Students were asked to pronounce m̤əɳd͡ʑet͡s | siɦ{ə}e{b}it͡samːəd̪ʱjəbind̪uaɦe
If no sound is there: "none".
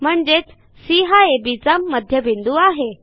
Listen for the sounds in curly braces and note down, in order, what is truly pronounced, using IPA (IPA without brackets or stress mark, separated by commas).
a, b